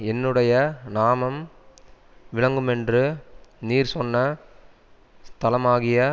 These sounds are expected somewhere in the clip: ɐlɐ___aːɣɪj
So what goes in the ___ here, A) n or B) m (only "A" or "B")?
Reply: B